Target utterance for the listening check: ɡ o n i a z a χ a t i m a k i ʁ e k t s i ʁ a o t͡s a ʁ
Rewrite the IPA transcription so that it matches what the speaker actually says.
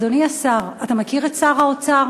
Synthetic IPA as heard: d o n i a s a ʁ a t a m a k i ʁ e t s a ʁ a o t͡s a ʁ